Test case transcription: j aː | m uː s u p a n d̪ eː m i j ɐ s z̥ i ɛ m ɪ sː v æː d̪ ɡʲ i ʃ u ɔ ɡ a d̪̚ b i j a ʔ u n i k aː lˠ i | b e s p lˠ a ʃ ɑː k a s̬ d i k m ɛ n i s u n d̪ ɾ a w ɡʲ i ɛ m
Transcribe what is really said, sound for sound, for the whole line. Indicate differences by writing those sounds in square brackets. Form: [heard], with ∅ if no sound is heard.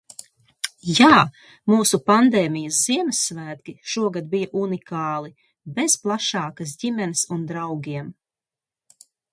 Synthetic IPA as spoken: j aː | m uː s u p a n d̪ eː m i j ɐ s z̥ i ɛ m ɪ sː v æː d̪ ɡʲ i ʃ u ɔ ɡ a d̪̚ b i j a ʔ u n i k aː lˠ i | b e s p lˠ a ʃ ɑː k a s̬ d i [∅] m ɛ n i s u n d̪ ɾ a w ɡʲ i ɛ m